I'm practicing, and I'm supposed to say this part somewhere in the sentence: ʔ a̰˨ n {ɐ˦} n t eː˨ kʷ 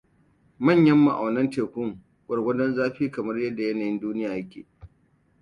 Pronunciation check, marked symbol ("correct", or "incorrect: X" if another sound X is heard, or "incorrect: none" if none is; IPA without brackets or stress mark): correct